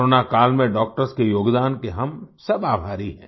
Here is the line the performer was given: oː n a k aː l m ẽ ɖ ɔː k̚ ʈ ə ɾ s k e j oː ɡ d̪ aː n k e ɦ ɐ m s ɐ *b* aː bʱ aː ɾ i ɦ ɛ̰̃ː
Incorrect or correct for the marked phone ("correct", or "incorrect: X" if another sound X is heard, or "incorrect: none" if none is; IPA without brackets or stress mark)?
correct